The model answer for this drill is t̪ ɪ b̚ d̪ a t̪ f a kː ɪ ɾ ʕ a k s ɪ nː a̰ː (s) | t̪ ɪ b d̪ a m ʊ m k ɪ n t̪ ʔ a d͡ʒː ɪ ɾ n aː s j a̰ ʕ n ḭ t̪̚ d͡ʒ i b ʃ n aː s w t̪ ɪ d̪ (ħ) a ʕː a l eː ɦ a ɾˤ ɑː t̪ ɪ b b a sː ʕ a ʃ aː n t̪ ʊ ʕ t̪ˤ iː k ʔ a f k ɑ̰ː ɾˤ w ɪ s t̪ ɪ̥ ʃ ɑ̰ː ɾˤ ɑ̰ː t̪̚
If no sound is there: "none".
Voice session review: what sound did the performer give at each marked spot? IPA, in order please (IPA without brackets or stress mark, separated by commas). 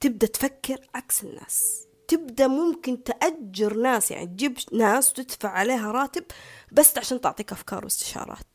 s, f